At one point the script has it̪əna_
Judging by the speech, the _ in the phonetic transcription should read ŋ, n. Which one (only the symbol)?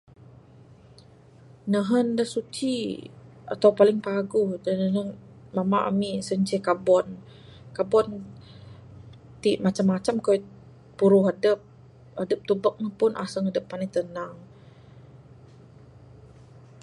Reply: ŋ